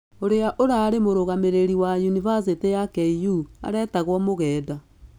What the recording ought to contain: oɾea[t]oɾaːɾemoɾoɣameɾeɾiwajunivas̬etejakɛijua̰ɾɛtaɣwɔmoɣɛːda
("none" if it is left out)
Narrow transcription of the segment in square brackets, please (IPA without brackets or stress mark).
ʔ